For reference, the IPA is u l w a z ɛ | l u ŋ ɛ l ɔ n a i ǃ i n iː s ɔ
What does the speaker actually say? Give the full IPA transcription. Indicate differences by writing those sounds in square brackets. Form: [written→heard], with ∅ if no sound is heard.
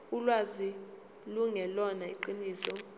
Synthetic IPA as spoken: u l w a z [ɛ→i] | l u ŋ ɛ l ɔ n a i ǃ i n iː s ɔ

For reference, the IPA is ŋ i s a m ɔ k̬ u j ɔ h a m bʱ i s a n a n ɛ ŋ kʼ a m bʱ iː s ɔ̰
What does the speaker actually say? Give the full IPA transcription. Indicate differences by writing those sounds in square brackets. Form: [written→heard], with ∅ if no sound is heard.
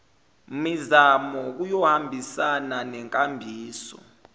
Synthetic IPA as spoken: [ŋ→m] i [s→z] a m ɔ k̬ u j ɔ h a m bʱ i s a n a n ɛ ŋ kʼ a m bʱ iː s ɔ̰

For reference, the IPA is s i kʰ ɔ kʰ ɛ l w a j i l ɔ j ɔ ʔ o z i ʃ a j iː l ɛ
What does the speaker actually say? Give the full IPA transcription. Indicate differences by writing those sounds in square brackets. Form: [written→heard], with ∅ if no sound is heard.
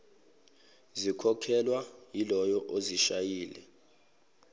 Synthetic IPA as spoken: [s→z] i kʰ ɔ kʰ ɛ l w a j i l ɔ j ɔ ʔ o z i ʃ a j iː l ɛ

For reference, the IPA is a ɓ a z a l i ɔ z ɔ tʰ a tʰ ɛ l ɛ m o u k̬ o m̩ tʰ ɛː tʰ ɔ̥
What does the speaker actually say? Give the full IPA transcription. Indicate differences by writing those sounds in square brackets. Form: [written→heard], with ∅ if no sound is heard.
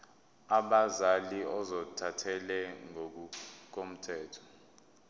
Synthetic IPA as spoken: a ɓ a z a l i ɔ z ɔ tʰ a tʰ ɛ l ɛ [m→ŋ] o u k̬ o m̩ tʰ ɛː tʰ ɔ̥

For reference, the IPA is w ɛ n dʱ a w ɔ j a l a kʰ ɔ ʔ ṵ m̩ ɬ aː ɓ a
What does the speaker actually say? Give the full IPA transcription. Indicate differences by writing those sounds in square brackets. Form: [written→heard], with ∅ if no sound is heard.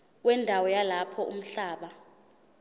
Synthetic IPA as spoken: w ɛ n dʱ a w ɔ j a l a [kʰ→pʰ] ɔ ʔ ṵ m̩ ɬ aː ɓ a

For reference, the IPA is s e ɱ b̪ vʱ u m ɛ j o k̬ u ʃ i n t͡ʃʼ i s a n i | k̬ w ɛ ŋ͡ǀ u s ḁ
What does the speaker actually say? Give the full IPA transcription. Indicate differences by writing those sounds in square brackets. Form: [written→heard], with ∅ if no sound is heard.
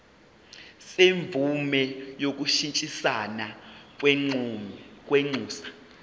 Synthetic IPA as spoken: s e ɱ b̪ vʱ u m ɛ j o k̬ u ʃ i n t͡ʃʼ i s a n [i→a] | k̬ w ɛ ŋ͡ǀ [u→uː] s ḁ

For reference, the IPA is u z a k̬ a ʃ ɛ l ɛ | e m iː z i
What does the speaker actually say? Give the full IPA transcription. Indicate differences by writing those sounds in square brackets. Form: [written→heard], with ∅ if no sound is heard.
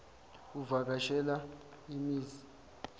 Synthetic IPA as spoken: u [z→v] a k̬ a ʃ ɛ l [ɛ→a] | [e→i] m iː z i

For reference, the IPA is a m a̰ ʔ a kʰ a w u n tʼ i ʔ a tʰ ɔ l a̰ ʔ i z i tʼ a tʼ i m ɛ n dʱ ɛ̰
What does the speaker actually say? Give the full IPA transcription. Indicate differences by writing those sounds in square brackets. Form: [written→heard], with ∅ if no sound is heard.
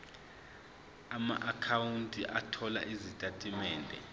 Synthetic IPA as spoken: a m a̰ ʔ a kʰ a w u n tʼ i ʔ a tʰ ɔ l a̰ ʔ i z i tʼ a tʼ i m [ɛ→ɛː] n dʱ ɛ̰

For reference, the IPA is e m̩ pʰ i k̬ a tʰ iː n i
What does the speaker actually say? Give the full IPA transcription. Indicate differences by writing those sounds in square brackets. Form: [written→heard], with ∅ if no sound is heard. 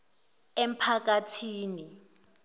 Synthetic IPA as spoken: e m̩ pʰ [i→a] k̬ a tʰ iː n i

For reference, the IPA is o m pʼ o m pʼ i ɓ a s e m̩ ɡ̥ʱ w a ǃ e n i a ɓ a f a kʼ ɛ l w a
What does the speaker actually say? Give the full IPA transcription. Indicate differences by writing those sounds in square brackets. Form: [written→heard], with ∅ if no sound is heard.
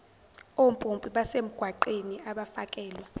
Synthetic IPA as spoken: o m pʼ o m pʼ i ɓ a s e m̩ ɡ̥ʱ w a ǃ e n i a ɓ a f a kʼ [ɛ→ɛː] l w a

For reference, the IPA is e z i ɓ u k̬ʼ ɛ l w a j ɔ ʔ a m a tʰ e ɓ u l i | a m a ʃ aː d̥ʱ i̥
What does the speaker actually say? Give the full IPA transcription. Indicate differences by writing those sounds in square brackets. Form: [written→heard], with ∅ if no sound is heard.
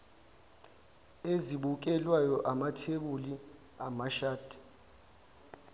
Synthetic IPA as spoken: e z i ɓ u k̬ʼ ɛ l w a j ɔ ʔ a m a tʰ e ɓ u l i | a m a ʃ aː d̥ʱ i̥

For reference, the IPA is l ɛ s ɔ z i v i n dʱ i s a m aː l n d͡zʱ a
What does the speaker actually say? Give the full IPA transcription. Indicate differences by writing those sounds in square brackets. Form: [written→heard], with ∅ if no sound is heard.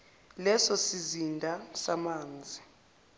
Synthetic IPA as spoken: l ɛ s ɔ [z→s] i [v→z] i n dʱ [i→a] s a m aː [l→∅] n d͡zʱ [a→i]

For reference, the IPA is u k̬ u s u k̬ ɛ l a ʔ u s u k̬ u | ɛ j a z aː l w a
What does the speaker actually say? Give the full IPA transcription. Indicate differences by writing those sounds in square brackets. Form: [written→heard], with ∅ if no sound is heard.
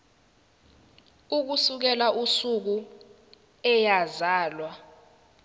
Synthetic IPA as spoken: u k̬ u s u k̬ ɛ l a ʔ u s u k̬ u | ɛ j a z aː l w a

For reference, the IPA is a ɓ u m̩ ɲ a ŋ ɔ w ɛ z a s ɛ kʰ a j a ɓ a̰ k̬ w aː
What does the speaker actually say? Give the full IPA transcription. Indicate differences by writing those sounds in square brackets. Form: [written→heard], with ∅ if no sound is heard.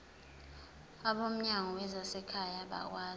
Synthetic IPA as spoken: a ɓ [u→o] m̩ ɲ a ŋ ɔ w ɛ z a s ɛ kʰ a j a ɓ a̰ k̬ w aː

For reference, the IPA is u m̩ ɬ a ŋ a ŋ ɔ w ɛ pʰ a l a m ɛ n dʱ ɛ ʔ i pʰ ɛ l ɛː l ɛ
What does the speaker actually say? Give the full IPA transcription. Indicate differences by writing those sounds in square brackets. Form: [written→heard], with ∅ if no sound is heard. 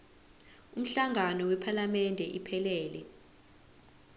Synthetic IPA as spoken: u m̩ ɬ a ŋ a [ŋ→n] ɔ w ɛ pʰ a l a m ɛ n dʱ ɛ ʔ i pʰ ɛ l ɛː l ɛ

